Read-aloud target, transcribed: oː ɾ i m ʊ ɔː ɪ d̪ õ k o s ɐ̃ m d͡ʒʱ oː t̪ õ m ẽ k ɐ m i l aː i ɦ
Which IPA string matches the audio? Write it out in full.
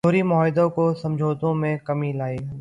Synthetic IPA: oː ɾ i m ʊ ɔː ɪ d̪ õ k o s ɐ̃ m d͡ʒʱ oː t̪ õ m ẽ k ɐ m i l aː i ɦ